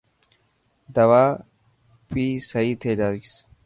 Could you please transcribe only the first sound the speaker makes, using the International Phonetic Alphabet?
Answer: d̪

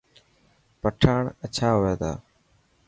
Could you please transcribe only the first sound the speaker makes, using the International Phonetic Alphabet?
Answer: p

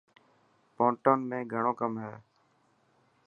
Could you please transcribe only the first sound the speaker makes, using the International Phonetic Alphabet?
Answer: p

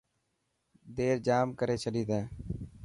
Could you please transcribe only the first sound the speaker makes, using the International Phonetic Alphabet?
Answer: d̪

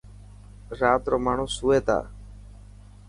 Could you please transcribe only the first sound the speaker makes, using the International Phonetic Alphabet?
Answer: ɾ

